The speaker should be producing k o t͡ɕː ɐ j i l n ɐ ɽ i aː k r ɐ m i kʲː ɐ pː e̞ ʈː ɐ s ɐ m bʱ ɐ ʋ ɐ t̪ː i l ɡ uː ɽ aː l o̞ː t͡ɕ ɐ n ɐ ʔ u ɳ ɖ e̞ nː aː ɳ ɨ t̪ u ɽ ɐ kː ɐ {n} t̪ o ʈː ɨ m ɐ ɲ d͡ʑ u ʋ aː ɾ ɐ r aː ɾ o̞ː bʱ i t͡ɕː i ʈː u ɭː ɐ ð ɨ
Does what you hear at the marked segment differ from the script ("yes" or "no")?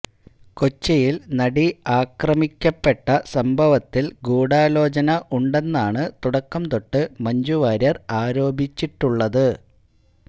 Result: yes